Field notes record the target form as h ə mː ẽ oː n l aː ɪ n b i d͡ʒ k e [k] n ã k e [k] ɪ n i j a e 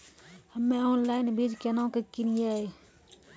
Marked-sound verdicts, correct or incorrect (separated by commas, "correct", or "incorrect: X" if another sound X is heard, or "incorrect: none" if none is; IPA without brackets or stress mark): incorrect: none, correct